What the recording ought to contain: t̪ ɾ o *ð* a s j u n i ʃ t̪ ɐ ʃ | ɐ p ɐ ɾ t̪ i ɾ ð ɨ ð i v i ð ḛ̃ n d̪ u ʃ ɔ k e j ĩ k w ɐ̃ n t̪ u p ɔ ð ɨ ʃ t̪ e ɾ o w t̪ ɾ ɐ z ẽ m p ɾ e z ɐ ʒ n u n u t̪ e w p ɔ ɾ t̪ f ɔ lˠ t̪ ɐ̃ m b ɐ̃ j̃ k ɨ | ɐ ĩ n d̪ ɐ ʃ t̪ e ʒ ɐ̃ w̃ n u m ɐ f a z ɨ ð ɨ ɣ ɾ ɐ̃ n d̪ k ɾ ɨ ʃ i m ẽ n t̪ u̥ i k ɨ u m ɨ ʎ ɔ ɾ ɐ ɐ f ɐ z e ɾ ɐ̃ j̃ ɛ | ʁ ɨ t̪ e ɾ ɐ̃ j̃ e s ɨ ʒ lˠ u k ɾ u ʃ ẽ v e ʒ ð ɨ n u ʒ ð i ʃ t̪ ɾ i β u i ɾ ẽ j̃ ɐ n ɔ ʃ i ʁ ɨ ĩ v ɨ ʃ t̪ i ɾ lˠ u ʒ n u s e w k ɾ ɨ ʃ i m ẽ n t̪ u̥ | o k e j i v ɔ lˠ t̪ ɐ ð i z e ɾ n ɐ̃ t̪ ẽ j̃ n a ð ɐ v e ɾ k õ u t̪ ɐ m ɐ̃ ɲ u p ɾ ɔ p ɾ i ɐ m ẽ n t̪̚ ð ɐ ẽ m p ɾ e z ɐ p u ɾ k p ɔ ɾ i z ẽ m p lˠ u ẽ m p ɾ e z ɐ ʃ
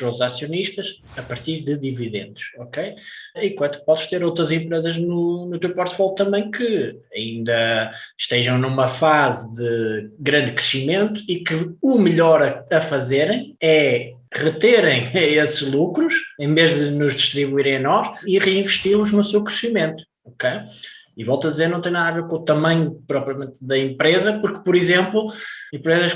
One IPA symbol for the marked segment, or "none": z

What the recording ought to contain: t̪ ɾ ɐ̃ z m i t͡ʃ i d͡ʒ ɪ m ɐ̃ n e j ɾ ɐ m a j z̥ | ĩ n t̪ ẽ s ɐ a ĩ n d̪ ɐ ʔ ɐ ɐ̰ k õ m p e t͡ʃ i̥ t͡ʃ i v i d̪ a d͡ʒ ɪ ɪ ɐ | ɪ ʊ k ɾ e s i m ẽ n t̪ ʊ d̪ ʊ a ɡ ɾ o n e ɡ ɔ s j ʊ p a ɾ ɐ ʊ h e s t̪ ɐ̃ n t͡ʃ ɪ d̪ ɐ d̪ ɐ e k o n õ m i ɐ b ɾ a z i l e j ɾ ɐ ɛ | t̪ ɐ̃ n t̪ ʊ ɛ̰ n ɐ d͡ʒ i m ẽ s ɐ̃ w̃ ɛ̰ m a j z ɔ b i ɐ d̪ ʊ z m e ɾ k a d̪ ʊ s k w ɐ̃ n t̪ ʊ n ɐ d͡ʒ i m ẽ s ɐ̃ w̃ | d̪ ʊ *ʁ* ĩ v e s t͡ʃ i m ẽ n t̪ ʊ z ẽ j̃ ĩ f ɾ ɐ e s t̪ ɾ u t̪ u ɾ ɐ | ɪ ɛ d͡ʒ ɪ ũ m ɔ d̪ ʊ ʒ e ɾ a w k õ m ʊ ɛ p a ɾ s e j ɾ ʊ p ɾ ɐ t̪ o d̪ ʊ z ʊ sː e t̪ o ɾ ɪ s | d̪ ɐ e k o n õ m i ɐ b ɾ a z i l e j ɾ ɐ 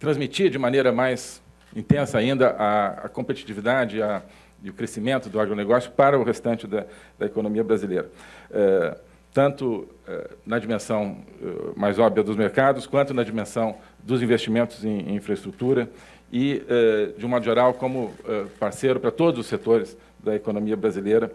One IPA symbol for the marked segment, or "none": z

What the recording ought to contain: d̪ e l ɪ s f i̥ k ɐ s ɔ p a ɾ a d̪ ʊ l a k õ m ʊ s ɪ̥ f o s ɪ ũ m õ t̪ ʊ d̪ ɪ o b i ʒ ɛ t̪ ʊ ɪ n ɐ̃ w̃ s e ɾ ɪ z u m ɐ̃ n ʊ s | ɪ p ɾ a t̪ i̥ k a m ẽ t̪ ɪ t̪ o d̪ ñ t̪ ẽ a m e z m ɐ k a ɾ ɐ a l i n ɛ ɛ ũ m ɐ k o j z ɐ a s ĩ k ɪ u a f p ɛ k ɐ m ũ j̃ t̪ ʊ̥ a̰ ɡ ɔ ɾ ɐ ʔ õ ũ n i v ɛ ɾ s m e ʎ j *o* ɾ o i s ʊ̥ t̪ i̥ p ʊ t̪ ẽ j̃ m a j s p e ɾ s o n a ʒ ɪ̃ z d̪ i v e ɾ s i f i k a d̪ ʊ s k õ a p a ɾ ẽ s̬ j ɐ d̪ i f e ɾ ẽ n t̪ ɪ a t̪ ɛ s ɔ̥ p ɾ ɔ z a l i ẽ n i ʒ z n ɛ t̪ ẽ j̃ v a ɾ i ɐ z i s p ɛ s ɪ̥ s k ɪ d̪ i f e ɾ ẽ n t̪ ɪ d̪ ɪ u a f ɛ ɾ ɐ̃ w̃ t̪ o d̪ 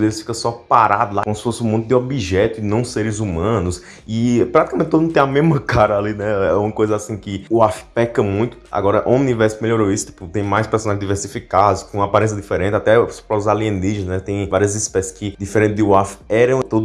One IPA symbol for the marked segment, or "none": o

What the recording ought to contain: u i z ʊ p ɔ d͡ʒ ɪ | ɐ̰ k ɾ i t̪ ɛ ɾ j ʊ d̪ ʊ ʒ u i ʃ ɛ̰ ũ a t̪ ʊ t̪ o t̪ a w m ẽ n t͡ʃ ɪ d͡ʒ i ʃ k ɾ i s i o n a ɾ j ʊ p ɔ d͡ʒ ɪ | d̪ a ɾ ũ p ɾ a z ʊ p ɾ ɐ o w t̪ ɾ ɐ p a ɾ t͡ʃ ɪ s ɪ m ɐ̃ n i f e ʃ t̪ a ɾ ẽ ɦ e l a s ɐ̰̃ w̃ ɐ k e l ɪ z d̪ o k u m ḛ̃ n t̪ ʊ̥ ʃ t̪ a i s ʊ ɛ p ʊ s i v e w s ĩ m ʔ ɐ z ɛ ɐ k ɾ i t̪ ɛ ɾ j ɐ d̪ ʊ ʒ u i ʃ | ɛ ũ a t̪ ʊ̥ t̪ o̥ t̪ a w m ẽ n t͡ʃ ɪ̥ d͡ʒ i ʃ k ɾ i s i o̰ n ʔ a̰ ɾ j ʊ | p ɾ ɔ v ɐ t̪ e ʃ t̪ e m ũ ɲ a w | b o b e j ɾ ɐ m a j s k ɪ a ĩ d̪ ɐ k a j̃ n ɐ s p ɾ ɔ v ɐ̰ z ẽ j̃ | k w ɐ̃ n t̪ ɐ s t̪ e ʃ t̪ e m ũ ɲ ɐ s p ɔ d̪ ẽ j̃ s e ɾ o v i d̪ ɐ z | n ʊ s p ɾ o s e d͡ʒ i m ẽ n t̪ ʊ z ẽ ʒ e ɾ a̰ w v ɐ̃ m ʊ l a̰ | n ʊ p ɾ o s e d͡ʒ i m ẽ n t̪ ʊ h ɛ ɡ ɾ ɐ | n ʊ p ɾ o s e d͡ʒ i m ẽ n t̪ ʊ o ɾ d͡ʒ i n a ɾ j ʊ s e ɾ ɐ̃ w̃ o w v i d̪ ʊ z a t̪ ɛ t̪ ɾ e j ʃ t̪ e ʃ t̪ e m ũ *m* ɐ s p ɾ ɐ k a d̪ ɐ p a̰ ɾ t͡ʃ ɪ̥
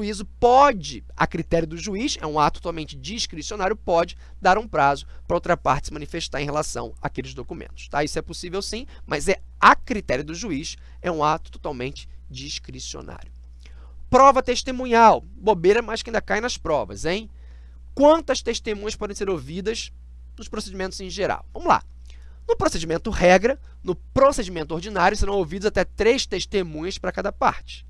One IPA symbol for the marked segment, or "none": ɲ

